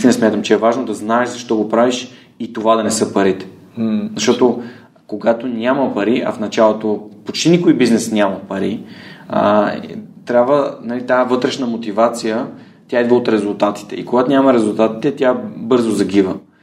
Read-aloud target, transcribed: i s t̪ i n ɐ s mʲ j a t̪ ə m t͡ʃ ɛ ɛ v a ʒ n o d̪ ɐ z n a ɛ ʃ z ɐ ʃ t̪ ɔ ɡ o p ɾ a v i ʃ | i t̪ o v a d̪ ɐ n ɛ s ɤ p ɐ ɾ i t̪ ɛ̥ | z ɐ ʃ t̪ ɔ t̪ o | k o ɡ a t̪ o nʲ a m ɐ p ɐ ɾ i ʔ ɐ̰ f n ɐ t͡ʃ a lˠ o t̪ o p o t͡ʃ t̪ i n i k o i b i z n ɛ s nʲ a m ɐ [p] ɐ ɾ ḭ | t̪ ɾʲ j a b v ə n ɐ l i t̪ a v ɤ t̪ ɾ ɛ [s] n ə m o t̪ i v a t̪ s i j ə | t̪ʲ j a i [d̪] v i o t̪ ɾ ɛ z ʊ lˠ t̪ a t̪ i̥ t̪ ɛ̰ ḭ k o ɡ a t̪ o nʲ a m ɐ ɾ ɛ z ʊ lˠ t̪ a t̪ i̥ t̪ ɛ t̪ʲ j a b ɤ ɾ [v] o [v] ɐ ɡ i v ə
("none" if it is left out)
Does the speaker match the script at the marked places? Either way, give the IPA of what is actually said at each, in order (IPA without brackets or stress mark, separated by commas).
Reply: p, ʃ, d̪, z, z